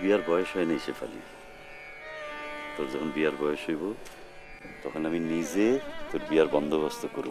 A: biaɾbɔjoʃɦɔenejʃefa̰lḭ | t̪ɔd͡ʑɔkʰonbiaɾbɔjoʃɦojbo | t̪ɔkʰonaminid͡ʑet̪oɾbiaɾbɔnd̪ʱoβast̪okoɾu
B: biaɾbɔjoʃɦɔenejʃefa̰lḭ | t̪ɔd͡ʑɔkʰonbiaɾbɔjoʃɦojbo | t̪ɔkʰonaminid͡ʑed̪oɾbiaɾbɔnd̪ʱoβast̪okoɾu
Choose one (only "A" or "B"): A